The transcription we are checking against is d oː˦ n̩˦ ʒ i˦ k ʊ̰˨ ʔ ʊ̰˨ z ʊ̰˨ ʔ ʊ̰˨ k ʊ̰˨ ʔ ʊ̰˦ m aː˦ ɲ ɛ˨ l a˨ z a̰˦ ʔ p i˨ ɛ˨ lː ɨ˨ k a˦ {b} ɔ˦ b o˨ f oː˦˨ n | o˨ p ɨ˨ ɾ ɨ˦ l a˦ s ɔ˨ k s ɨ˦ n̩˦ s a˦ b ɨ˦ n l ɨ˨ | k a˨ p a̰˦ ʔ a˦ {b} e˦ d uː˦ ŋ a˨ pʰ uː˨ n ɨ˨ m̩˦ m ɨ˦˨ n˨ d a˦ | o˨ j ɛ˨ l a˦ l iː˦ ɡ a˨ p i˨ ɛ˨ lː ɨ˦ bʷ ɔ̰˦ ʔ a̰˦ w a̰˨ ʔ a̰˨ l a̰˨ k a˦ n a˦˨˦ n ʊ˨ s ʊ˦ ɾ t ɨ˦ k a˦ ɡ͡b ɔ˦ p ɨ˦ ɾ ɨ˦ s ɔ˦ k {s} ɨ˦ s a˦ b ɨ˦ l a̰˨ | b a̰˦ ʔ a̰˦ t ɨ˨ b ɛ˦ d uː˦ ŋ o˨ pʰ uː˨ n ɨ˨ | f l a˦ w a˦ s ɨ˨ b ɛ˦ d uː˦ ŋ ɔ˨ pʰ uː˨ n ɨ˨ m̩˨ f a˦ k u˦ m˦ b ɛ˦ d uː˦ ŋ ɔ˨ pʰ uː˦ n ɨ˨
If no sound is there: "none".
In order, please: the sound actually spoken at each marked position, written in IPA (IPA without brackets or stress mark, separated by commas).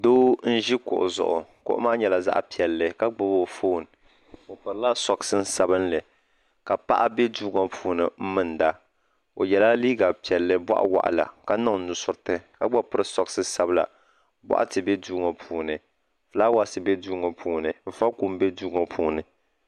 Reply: ɡ͡b, b, s